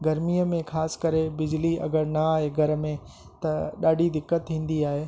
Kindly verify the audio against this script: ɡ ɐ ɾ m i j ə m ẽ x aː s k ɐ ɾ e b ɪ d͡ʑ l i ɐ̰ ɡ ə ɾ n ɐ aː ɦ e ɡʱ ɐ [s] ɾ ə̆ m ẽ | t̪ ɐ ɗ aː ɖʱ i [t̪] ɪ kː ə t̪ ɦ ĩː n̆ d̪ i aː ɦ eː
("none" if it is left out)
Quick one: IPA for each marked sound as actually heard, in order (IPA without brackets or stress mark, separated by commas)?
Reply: none, d̪